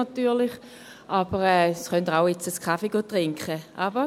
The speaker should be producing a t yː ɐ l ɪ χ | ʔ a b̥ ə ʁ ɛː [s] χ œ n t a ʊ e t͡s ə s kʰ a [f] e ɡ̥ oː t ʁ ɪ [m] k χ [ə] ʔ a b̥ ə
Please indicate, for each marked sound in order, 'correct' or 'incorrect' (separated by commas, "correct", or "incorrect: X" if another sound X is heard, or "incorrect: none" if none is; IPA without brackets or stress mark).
correct, correct, incorrect: ŋ, correct